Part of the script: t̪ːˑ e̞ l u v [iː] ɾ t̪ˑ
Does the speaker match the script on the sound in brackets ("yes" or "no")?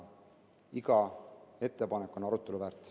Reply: no